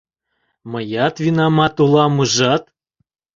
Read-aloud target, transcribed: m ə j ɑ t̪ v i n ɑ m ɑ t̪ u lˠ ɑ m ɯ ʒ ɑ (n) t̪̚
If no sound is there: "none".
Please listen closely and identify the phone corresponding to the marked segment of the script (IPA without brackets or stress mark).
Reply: none